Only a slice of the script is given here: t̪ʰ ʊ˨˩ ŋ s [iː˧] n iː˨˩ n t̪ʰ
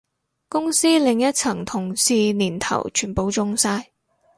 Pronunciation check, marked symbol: correct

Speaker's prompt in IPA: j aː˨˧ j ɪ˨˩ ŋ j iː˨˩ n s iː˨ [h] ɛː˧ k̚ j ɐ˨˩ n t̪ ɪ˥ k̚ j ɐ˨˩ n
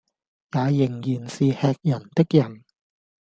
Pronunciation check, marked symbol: correct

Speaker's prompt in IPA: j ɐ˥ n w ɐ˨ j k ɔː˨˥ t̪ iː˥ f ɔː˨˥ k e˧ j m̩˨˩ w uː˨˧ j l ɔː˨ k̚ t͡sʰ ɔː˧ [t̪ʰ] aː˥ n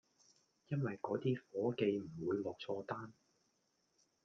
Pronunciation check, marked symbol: incorrect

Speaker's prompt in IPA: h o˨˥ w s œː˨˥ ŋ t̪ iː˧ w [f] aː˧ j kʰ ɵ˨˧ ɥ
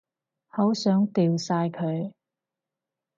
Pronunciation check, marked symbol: incorrect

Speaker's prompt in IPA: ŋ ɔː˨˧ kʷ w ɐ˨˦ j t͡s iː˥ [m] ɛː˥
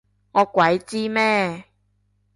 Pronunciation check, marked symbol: correct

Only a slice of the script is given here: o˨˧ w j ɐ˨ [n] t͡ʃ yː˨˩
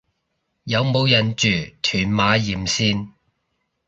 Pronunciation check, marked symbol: correct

